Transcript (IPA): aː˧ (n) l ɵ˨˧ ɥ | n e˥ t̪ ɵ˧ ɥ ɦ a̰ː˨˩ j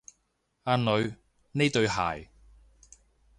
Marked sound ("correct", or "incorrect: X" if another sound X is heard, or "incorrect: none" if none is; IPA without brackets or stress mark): correct